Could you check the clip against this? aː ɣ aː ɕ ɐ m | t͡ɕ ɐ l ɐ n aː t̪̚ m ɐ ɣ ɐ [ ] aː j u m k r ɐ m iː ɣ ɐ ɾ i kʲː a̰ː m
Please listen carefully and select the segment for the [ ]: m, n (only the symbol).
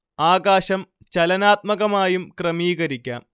m